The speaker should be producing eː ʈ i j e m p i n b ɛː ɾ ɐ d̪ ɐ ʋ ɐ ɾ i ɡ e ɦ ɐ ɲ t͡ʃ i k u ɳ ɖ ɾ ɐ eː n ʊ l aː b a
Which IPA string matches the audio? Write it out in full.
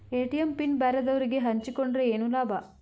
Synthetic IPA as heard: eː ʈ i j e m p i n b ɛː ɾ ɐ d̪ ɐ ʋ ɐ ɾ i ɡ e ɦ ɐ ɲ t͡ʃ i k o ɳ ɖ ɾ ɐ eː n u l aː b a